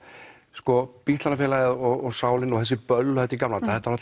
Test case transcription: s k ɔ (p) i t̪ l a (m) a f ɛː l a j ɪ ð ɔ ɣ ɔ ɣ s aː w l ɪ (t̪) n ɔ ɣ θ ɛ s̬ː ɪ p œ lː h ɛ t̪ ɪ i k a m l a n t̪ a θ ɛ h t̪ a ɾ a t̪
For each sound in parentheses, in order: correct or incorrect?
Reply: correct, incorrect, incorrect

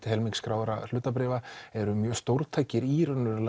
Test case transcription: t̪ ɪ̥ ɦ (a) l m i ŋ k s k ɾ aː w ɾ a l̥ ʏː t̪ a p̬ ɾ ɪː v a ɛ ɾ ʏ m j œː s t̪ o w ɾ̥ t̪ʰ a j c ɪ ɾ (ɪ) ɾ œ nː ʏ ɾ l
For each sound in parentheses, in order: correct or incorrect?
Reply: incorrect, incorrect

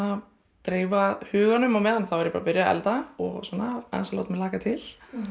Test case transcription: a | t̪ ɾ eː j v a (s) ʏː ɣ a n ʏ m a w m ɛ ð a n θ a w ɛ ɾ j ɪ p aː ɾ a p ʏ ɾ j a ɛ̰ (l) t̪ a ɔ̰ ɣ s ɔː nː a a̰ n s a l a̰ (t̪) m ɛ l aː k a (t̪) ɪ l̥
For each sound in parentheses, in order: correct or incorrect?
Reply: incorrect, correct, correct, incorrect

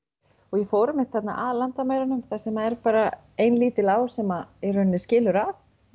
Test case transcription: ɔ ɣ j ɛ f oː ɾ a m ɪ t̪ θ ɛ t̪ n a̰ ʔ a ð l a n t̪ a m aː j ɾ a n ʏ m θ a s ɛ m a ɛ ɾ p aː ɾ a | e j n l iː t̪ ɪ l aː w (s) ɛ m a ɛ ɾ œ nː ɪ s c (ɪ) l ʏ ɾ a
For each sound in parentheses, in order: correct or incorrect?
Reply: correct, incorrect

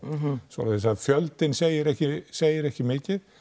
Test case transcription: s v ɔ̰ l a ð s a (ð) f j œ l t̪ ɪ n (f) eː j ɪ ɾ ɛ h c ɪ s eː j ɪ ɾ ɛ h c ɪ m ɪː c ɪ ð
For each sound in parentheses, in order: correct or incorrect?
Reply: correct, incorrect

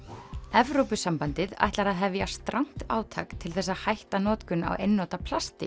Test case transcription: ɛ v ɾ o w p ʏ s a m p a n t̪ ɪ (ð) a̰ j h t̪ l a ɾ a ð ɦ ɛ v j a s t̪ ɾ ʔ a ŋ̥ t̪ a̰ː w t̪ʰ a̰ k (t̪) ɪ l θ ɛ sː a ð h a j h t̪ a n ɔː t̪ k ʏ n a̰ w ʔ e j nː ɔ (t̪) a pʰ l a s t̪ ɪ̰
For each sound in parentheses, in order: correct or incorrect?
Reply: correct, incorrect, correct

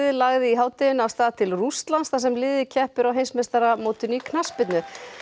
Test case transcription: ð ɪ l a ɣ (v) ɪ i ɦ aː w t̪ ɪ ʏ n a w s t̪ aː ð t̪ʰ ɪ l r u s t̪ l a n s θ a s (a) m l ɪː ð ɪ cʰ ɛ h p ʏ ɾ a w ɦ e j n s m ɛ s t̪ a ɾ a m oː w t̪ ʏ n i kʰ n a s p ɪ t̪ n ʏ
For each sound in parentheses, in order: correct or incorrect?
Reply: incorrect, incorrect

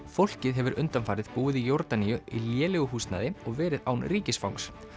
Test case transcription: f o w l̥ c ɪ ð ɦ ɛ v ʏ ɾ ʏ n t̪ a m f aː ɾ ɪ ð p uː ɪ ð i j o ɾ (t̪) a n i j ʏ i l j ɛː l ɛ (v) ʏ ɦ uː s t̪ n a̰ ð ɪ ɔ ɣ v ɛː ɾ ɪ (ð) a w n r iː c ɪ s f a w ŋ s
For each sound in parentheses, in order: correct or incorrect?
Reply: correct, incorrect, correct

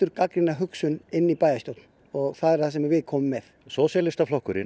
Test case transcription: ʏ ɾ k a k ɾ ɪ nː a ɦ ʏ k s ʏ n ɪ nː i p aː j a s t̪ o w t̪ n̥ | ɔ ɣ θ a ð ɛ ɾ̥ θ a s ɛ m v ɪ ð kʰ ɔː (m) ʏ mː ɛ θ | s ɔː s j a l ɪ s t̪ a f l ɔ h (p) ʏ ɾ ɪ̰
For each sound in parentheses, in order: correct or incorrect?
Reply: correct, incorrect

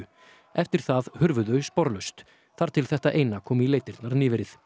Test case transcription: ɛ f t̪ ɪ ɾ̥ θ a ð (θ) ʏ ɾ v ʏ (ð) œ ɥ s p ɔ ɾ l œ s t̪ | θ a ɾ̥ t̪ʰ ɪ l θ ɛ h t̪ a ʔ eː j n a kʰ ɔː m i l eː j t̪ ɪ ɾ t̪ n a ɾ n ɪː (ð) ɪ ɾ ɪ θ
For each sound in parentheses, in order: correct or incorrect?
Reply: incorrect, correct, incorrect

